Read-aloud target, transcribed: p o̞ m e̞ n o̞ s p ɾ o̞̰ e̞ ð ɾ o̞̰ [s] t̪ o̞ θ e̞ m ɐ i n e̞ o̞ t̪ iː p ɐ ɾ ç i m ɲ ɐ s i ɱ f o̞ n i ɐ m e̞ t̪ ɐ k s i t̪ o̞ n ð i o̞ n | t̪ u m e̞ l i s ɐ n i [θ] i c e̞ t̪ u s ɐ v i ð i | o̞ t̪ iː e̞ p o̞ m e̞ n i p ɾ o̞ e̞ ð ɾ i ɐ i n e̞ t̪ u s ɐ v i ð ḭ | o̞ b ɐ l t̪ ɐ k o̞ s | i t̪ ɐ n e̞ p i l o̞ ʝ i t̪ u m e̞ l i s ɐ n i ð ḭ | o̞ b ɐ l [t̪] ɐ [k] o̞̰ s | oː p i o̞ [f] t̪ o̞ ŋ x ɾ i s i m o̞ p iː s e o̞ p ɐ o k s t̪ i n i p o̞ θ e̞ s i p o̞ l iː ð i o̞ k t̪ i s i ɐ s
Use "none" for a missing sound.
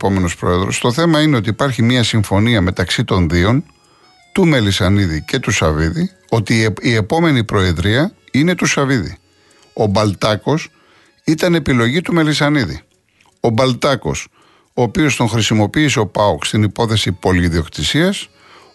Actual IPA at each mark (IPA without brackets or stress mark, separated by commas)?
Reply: s, ð, t̪, k, s